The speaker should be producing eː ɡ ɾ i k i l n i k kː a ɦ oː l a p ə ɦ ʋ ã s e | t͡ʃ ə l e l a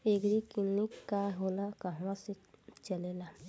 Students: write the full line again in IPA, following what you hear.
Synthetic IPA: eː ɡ ɾ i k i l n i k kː a ɦ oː l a k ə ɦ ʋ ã s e | t͡ʃ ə l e l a